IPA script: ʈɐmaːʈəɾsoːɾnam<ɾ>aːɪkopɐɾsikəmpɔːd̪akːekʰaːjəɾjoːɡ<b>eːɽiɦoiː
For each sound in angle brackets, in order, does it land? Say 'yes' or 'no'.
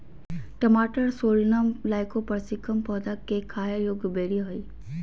no, yes

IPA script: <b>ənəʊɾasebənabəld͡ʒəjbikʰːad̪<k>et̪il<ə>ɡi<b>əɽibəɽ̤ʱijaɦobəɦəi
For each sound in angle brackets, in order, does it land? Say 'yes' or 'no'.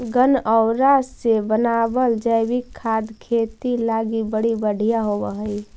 no, no, no, yes

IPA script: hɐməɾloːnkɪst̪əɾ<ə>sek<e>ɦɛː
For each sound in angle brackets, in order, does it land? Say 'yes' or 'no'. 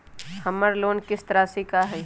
no, no

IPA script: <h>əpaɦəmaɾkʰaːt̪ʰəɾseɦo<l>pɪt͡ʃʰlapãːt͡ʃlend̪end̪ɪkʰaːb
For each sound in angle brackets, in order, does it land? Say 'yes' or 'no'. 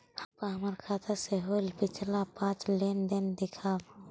yes, yes

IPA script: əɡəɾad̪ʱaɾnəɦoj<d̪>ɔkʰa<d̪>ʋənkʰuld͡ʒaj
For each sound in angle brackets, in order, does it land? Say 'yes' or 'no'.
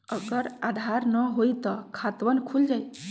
no, no

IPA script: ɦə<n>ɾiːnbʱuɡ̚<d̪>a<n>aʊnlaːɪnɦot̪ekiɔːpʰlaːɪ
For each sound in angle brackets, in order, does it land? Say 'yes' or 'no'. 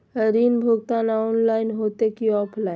no, no, yes

